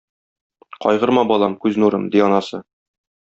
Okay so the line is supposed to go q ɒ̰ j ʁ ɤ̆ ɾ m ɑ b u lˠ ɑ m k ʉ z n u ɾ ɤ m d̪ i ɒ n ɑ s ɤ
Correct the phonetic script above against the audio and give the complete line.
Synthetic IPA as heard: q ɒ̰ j ʁ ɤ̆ ɾ m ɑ b ɒ lˠ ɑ m k ʉ z n u ɾ ɤ m d̪ i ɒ n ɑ s ɤ